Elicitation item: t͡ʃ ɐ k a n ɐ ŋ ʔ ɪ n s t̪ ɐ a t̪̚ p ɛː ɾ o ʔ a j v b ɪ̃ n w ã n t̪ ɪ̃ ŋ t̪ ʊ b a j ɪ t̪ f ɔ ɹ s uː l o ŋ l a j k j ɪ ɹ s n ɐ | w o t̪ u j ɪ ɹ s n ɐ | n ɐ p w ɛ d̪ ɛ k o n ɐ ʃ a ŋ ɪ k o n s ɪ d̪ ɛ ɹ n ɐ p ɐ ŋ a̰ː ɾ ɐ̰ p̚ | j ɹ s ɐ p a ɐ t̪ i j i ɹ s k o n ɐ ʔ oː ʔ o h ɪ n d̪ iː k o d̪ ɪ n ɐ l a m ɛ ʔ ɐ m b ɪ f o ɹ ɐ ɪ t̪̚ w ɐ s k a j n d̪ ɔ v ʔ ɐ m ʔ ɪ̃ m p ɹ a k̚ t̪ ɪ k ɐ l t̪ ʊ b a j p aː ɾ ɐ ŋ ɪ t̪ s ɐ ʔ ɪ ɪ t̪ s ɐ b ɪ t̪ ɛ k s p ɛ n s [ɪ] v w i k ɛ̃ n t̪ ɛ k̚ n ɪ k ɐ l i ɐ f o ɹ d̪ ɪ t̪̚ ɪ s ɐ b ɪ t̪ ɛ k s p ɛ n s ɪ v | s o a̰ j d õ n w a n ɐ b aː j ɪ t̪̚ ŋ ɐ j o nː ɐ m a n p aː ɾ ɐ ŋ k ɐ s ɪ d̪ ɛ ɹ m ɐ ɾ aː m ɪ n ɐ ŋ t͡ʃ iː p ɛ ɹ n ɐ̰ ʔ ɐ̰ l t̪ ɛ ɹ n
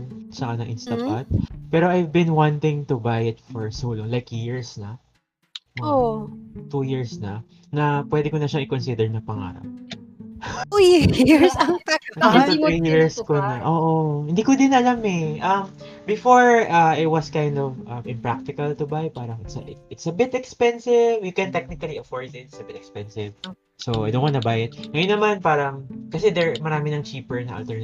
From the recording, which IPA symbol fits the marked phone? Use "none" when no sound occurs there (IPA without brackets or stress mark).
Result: ɪ